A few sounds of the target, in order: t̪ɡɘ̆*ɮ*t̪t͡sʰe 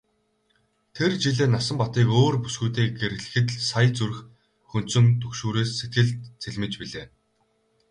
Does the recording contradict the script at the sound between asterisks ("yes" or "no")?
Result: no